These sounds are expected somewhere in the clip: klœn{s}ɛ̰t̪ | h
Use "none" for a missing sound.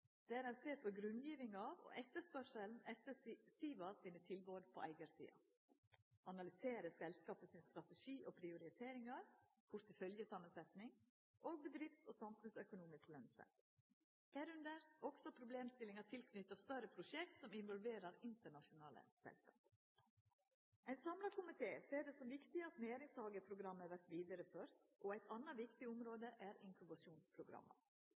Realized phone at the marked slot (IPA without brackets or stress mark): s